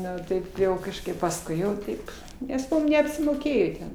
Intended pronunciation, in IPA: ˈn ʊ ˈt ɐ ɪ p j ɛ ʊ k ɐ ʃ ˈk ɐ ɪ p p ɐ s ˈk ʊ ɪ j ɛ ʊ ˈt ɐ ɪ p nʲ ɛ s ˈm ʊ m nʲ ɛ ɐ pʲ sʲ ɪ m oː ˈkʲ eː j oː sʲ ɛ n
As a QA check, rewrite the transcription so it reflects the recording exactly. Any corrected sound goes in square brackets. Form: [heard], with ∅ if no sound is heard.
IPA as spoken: ˈn ʊ ˈt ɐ ɪ p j ɛ ʊ k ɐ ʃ ˈk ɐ ɪ p p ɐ s ˈk ʊ ɪ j ɛ ʊ ˈt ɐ ɪ p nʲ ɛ s ˈm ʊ m nʲ ɛ ɐ pʲ sʲ ɪ m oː ˈkʲ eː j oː [tʲ] ɛ n